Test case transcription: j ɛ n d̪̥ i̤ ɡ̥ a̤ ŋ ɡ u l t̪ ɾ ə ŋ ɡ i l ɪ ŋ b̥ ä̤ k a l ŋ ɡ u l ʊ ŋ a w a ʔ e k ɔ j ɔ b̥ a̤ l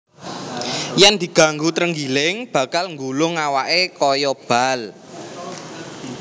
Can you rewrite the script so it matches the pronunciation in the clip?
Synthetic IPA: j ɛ n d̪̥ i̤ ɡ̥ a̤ ŋ ɡ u t̪ ɾ ə ŋ ɡ i l ɪ ŋ b̥ ä̤ k a l ŋ ɡ u l ʊ ŋ a w a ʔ e k ɔ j ɔ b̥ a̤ l